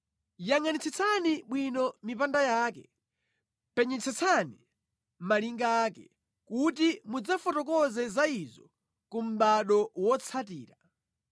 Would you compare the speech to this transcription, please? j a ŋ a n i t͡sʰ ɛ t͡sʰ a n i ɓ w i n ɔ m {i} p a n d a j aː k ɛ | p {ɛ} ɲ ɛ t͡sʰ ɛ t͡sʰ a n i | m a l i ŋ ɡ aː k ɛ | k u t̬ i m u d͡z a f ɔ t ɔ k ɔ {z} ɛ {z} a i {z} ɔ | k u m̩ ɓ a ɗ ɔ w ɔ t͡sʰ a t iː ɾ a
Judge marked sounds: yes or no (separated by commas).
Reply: yes, yes, yes, yes, yes